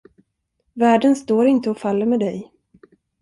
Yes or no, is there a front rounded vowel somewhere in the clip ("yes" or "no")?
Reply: no